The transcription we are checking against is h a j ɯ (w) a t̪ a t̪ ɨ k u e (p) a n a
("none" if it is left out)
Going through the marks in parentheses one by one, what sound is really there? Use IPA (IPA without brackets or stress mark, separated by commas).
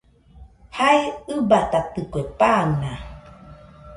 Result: b, p